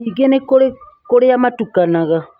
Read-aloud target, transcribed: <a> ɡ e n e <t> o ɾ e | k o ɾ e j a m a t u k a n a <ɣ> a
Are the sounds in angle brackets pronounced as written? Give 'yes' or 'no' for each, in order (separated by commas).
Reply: no, no, yes